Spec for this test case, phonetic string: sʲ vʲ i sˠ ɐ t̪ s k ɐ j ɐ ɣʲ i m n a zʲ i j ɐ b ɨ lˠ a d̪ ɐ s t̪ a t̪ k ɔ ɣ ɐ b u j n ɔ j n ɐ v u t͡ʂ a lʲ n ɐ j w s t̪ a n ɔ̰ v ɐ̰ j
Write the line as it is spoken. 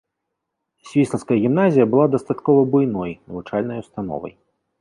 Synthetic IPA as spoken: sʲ vʲ i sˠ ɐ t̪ s k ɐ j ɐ ɣʲ i m n a zʲ i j ɐ b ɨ lˠ a d̪ ɐ s t̪ a t̪ k ɔ v ɐ b u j n ɔ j n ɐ v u t͡ʂ a lʲ n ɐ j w s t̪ a n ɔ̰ v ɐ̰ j